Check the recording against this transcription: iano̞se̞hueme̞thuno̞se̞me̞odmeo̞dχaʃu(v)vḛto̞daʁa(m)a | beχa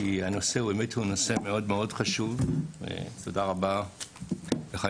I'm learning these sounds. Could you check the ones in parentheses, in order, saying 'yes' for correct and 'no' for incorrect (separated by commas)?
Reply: yes, no